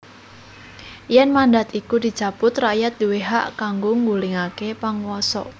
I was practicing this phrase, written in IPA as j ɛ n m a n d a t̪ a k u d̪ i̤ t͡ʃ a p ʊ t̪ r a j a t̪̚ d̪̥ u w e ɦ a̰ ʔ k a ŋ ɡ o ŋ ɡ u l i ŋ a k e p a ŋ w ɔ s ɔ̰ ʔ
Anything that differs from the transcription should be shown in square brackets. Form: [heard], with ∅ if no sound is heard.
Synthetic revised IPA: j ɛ n m a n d a t̪ [i] k u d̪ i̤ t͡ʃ a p ʊ t̪ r a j a t̪̚ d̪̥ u w e ɦ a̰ ʔ k a ŋ ɡ o ŋ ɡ u l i ŋ a k e p a ŋ w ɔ s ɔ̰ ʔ